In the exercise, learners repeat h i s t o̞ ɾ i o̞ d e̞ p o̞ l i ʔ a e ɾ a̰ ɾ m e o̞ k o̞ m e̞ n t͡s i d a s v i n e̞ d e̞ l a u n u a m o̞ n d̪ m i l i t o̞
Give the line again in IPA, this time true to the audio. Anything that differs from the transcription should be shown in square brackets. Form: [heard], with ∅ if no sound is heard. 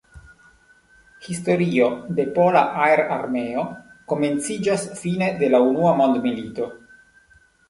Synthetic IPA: h i s t o̞ ɾ i o̞ d e̞ p o̞ l [a] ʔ a e ɾ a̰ ɾ m e o̞ k o̞ m e̞ n t͡s i [d͡ʒ] a s [f] i n e̞ d e̞ l a u n u a m o̞ n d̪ m i l i t o̞